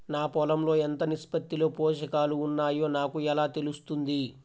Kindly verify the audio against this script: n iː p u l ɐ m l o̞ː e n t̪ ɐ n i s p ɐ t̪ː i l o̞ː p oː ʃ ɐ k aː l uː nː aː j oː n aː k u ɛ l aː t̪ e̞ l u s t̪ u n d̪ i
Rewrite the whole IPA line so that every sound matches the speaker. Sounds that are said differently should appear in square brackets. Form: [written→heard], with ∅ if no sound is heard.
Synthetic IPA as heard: n [iː→aː] p [u→ɔ] l ɐ m l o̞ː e n t̪ ɐ n i s p ɐ t̪ː i l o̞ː p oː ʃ ɐ k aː l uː nː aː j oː n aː k u ɛ l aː t̪ e̞ l u s t̪ u n d̪ i